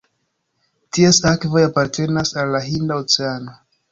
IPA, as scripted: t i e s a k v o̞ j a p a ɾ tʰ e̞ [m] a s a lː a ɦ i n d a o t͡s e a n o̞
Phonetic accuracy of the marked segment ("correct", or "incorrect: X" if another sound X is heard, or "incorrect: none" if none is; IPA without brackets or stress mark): incorrect: n